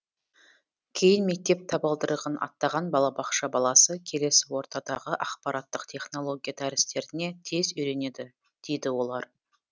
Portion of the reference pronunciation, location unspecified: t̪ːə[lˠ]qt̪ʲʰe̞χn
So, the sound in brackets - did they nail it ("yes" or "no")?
no